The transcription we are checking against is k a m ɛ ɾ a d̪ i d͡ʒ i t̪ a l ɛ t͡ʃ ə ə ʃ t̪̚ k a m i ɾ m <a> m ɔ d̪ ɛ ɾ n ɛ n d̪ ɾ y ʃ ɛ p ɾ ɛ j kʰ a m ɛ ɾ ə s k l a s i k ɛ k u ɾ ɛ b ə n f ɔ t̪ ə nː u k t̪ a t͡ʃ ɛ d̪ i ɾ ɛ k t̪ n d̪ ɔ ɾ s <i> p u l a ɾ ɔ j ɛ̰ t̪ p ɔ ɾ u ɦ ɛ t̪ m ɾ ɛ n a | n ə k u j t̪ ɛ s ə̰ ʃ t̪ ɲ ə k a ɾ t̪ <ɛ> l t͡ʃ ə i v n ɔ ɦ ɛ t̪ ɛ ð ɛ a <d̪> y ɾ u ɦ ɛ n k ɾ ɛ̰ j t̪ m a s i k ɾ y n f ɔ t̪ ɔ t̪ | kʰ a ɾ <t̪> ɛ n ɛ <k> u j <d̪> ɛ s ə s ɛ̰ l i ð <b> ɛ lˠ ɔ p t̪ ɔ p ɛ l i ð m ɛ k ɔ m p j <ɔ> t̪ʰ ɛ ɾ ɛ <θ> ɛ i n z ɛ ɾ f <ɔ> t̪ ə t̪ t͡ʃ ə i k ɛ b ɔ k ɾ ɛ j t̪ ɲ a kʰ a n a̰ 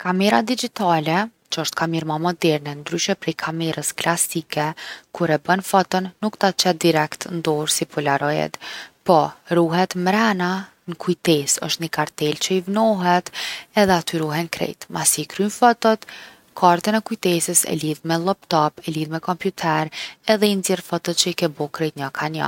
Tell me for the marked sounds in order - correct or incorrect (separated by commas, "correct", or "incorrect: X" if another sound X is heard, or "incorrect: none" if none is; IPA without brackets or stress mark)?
correct, correct, correct, incorrect: t̪, correct, correct, incorrect: t̪, incorrect: m, incorrect: u, incorrect: ð, correct